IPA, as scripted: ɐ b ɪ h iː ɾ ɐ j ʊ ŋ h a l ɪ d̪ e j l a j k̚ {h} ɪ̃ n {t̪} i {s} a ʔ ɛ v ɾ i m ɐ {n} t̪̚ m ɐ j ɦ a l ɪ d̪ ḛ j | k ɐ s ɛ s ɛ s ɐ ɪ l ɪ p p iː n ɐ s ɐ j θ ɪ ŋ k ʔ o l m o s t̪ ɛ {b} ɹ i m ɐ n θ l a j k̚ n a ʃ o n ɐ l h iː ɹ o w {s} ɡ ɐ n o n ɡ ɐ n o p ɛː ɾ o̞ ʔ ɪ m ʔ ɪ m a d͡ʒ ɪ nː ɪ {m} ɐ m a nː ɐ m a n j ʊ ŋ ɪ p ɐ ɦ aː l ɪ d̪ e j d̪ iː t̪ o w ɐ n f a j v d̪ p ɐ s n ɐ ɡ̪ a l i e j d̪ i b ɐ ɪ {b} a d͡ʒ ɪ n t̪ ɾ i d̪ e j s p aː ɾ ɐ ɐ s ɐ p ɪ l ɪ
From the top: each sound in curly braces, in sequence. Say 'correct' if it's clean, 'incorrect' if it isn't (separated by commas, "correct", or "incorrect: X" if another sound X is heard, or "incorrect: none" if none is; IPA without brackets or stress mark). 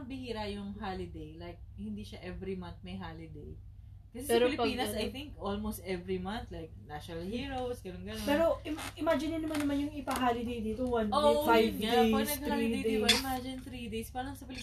correct, incorrect: d̪, incorrect: ʃ, correct, incorrect: v, correct, incorrect: n, incorrect: m